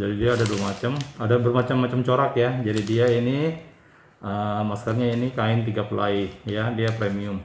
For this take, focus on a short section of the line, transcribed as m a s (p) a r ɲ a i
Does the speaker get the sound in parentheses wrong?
yes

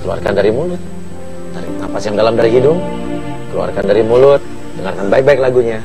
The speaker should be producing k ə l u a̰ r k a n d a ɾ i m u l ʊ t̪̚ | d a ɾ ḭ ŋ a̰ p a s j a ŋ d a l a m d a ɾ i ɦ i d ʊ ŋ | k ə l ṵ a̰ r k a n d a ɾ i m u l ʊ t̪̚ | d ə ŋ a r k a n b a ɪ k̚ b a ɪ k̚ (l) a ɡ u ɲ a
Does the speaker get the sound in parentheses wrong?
no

